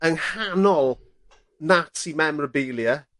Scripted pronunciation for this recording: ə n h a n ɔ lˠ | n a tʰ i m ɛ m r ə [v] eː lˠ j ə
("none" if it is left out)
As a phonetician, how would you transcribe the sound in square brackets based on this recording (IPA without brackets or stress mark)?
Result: b